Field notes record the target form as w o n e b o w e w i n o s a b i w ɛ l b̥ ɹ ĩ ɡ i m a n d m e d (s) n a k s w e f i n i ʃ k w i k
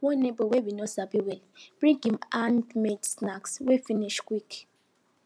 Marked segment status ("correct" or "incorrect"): correct